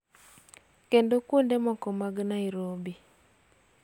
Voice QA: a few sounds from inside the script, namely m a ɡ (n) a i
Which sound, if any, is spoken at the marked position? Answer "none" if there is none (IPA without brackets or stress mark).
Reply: n